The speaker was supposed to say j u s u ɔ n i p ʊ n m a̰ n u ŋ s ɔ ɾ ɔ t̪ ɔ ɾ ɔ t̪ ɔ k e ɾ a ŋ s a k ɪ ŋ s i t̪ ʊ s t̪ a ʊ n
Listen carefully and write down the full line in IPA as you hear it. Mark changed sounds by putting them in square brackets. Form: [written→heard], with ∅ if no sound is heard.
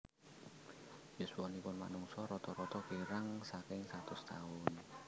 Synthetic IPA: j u s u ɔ n i p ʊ n m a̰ n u ŋ s ɔ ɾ ɔ t̪ ɔ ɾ ɔ t̪ ɔ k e ɾ a ŋ s a k ɪ ŋ s [i→a] t̪ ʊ s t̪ a ʊ n